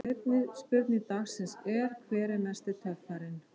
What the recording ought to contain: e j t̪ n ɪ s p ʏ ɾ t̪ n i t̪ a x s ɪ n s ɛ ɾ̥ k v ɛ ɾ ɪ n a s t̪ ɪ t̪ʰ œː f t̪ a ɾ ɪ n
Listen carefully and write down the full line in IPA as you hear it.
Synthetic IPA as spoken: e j t̪ n ɪ s p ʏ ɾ t̪ n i t̪ a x s ɪ n s ɛ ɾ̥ kʰ v ɛː ɾ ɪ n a s t̪ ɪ t̪ʰ œ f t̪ a ɾ ɪ n